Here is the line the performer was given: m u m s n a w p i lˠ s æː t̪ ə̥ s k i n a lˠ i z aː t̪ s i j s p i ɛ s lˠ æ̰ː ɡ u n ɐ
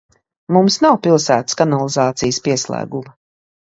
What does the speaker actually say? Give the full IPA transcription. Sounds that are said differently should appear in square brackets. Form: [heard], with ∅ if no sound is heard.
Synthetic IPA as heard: m u m s n a w p i lˠ s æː t̪ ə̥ s k [a] n a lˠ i z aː t̪ s i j s p i ɛ s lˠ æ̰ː ɡ u [m] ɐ

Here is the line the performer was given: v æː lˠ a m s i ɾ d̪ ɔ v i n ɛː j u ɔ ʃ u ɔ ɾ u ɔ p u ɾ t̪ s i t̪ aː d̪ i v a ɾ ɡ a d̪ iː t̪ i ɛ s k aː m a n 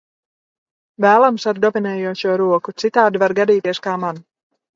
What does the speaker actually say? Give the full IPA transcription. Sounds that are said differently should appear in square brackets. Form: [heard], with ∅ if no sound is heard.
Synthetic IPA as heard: v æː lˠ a m s [a] ɾ d̪ ɔ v i n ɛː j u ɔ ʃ u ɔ ɾ u ɔ [k] u [∅] t̪ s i t̪ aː d̪ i v a ɾ ɡ a d̪ iː t̪ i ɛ s k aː m a n

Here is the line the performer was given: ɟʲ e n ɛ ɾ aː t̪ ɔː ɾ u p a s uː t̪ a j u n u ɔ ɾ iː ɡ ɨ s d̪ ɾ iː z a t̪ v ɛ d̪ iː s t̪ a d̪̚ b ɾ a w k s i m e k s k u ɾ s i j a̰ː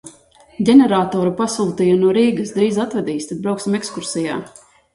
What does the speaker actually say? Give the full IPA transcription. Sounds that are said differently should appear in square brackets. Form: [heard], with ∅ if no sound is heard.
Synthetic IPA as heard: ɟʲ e n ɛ ɾ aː t̪ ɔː ɾ u p a s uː t̪ [i] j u n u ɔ ɾ iː ɡ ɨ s d̪ ɾ iː z a t̪ v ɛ d̪ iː s t̪ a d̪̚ b ɾ a w k s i m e k s k u ɾ s i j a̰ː

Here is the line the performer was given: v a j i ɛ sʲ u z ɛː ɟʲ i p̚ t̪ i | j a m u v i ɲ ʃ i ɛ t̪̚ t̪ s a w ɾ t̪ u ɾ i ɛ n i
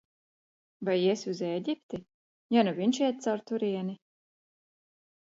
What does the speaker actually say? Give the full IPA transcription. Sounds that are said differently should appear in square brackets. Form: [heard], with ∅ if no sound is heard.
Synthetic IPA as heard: v a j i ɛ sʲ u z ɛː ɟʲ i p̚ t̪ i | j a [n] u v i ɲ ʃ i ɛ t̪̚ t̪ s a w ɾ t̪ u ɾ i ɛ n i

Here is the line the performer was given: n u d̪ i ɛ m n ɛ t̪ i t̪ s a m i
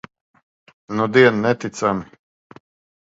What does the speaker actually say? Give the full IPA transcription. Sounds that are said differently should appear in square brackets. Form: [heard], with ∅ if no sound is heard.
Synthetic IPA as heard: n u d̪ i ɛ [n] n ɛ t̪ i t̪ s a m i

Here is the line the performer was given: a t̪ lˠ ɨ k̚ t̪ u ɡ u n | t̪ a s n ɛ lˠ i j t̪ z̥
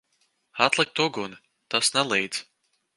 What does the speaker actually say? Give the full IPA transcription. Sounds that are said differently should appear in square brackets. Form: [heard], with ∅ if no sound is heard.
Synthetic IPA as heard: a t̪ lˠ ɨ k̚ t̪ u ɡ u n | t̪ a s n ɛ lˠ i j [d̪] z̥

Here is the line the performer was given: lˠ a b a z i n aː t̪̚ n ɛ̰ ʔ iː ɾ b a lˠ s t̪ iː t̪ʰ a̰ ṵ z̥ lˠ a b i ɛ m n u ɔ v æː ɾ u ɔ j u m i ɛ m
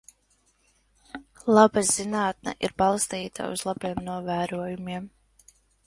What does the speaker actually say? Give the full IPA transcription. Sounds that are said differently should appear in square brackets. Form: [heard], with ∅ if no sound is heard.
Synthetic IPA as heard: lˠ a b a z i n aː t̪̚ n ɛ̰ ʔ [i] ɾ b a lˠ s t̪ iː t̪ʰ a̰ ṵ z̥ lˠ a b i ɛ m n u ɔ v æː ɾ u ɔ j u m i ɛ m

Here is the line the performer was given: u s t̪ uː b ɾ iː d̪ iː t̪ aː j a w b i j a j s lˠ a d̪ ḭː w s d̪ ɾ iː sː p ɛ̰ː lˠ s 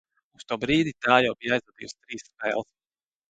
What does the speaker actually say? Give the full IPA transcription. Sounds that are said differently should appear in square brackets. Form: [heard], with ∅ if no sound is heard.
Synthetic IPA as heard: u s t̪ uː b ɾ iː d̪ [i] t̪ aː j a w b i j a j [z] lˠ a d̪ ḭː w s [t̪] ɾ iː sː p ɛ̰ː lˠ s

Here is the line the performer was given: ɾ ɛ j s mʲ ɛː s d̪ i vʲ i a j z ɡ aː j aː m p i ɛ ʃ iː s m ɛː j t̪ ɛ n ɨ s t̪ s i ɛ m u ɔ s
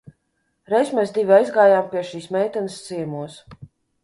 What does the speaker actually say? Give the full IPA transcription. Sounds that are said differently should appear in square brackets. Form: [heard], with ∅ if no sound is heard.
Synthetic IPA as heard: ɾ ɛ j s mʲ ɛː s d̪ i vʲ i a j z ɡ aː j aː m p i ɛ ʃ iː s m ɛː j t̪ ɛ n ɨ s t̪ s i ɛ m u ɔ s

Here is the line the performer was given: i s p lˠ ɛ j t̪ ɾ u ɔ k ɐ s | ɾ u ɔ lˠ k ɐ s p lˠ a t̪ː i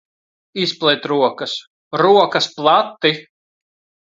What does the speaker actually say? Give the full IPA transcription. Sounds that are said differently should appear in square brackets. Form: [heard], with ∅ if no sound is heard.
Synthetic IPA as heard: i s p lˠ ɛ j t̪ ɾ u ɔ k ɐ s | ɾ u ɔ [∅] k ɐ s p lˠ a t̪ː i

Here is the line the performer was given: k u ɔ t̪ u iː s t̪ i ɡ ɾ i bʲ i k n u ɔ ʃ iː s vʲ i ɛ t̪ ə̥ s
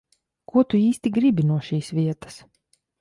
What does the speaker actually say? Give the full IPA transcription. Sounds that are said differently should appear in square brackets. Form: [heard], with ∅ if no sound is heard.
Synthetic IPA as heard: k u ɔ t̪ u iː s t̪ i ɡ ɾ i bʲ i [∅] n u ɔ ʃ iː s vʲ i ɛ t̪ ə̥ s

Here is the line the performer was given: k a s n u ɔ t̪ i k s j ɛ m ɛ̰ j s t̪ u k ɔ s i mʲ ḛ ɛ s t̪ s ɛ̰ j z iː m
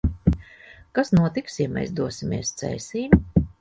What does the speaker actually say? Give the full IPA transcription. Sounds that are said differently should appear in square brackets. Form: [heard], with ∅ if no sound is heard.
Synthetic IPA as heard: k a s n u ɔ t̪ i k s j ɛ m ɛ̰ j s [d̪] u [∅] ɔ s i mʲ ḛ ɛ s t̪ s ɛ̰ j [s] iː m

